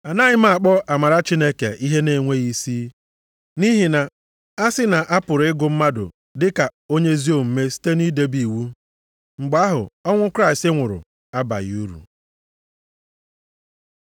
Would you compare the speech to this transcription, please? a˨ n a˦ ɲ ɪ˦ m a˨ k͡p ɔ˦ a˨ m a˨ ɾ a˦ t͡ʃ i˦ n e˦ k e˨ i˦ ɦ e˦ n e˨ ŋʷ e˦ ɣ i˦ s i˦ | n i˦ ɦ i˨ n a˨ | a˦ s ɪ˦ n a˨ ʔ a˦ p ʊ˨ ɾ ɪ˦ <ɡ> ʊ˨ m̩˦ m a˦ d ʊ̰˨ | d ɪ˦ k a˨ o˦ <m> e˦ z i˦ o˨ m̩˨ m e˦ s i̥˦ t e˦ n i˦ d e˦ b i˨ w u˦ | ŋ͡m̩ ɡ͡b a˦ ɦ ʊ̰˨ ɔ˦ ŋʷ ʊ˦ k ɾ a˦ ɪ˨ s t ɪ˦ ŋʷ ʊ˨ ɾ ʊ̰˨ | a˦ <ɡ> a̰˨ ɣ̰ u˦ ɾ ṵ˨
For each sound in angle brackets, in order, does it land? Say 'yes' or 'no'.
yes, no, no

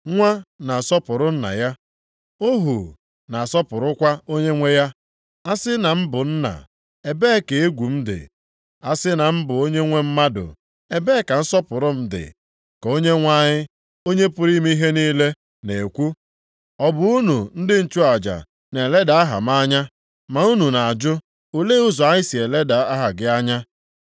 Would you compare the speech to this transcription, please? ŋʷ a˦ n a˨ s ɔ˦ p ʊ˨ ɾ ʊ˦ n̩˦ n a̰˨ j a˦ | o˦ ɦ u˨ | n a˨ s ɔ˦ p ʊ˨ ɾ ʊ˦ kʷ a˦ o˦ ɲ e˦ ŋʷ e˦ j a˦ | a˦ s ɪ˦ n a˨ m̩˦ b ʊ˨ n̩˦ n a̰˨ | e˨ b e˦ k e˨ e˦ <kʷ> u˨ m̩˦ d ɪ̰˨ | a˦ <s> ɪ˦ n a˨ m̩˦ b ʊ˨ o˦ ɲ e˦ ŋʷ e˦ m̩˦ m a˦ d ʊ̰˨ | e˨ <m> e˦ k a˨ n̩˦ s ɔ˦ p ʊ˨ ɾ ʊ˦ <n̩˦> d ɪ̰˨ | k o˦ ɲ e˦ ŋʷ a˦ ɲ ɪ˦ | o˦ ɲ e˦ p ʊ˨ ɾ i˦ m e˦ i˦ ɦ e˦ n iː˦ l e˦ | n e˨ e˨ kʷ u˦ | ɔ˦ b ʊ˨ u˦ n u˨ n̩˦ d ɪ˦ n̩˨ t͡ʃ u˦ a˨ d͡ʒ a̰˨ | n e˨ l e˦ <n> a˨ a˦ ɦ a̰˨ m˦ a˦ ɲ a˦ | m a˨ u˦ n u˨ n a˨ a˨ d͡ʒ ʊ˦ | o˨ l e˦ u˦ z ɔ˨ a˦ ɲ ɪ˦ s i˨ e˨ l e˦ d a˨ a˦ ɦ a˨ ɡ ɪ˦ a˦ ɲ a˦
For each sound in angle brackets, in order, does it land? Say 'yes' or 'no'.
no, yes, no, no, no

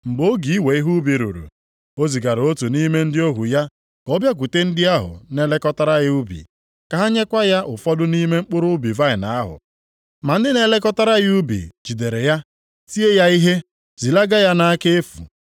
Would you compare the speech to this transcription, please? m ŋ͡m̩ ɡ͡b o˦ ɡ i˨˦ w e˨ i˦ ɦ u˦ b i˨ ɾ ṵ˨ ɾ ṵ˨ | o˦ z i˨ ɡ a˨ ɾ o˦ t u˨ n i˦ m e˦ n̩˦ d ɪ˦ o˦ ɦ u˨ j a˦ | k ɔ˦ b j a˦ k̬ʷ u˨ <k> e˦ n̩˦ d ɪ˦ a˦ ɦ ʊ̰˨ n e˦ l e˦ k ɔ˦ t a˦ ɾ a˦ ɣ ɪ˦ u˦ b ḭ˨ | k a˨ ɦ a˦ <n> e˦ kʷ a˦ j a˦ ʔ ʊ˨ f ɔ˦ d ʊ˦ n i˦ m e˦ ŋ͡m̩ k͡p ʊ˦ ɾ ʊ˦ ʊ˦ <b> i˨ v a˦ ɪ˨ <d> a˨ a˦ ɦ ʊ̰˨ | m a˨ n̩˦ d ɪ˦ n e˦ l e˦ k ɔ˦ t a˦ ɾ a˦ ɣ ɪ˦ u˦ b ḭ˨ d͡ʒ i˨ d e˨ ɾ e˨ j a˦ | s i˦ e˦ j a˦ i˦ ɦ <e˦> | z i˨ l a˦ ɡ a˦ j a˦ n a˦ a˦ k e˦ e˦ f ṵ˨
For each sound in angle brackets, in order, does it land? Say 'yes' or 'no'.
no, no, yes, no, yes

